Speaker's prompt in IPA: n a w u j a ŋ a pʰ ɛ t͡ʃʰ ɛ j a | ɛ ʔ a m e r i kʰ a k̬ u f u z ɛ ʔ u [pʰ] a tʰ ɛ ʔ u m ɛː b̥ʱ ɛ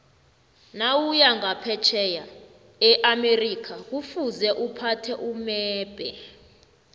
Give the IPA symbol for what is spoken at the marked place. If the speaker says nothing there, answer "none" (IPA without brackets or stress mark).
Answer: pʰ